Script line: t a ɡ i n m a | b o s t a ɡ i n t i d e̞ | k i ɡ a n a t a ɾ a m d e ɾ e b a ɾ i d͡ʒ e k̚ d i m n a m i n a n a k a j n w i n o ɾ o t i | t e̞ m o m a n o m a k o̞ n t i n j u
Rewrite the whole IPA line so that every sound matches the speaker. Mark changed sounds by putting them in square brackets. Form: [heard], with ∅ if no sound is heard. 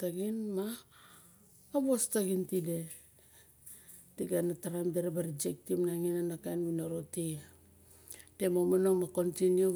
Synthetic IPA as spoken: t a ɡ i n m a | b o s t a ɡ i n t i d e̞ | [t] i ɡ a n a t a ɾ a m d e ɾ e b a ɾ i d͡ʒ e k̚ [t] i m n a [ŋ] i n a n a k a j n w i n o ɾ o t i | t e̞ m o m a n o m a k o̞ n t i n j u